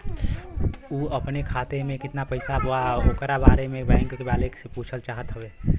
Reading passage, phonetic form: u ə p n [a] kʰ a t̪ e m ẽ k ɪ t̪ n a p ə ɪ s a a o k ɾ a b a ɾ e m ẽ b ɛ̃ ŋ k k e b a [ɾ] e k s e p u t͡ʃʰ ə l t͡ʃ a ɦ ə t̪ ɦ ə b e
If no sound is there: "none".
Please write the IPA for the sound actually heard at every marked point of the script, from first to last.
e, l

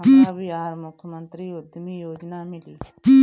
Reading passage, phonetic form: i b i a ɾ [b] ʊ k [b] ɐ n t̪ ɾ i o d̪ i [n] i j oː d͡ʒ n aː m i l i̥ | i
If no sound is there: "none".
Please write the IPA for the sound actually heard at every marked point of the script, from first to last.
m, m, m

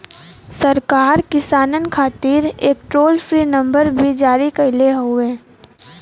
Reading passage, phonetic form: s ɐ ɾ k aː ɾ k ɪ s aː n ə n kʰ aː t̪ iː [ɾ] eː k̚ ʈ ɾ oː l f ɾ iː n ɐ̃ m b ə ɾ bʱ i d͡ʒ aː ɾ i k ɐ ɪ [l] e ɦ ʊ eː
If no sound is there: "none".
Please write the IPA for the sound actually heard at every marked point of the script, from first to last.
ɾ, l

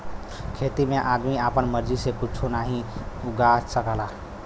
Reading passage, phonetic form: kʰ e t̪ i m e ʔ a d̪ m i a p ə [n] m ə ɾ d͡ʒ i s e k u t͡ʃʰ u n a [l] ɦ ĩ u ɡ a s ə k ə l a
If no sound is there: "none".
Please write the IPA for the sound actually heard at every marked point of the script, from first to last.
n, none

